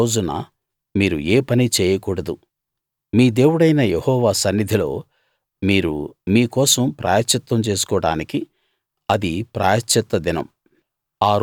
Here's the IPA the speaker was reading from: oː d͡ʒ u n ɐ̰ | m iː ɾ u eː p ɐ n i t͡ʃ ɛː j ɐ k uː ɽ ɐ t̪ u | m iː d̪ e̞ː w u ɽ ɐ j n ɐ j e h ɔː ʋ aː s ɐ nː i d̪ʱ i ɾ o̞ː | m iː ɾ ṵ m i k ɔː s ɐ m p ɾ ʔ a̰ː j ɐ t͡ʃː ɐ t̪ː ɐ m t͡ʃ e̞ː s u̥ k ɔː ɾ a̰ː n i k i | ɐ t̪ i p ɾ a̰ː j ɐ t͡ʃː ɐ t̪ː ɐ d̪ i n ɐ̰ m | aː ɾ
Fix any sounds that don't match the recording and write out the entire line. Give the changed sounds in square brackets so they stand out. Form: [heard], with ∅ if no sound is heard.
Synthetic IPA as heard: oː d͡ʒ u n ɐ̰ | m iː ɾ u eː p ɐ n i t͡ʃ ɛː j ɐ k uː ɽ ɐ [d̪] u | m iː d̪ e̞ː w u ɽ ɐ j n ɐ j e h ɔː ʋ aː s ɐ nː i d̪ʱ i [l] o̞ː | m iː ɾ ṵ m [iː] k ɔː s ɐ m p ɾ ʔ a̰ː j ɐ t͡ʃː ɐ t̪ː ɐ m t͡ʃ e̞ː s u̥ k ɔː [ɽ] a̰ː n i k i | ɐ [d̪] i p ɾ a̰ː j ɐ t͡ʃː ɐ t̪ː ɐ d̪ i n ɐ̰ m | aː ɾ